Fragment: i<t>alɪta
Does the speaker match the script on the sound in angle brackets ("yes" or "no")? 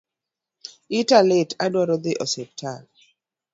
yes